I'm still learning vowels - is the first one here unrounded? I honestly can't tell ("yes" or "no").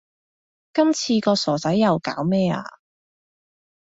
yes